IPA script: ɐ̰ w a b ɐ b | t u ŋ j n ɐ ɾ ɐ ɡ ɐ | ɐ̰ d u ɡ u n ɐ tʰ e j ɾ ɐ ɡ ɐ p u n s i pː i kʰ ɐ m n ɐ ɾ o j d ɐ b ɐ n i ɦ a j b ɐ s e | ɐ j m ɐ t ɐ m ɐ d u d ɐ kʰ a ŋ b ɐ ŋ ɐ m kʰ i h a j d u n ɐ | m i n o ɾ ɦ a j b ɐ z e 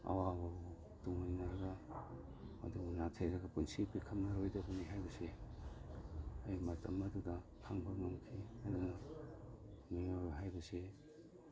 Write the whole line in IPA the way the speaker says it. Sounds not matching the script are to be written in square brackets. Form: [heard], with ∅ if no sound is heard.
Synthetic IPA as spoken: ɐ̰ w a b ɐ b | t u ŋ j n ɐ ɾ ɐ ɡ ɐ | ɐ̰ d u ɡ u n [a] tʰ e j ɾ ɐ ɡ ɐ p u n s i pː i kʰ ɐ m n ɐ ɾ o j d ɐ b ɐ n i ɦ a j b ɐ s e | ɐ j m ɐ t ɐ m ɐ d u d ɐ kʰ a ŋ b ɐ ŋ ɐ m kʰ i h a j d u n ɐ | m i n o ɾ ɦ a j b ɐ [s] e